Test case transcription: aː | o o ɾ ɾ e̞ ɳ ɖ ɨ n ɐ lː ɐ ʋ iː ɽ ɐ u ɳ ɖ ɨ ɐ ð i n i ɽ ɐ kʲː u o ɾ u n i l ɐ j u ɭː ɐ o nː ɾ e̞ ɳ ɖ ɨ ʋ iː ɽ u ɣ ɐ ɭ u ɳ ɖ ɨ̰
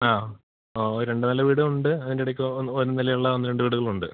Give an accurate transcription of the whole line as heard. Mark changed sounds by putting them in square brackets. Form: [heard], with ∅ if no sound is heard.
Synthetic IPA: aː | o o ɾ ɾ e̞ ɳ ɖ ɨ n ɐ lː ɐ ʋ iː ɽ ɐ u ɳ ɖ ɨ ɐ ð i n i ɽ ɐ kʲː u o ɾ u n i l ɐ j u ɭː ɐ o nː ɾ e̞ ɳ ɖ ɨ ʋ iː ɽ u ɣ ɐ ɭ u ɳ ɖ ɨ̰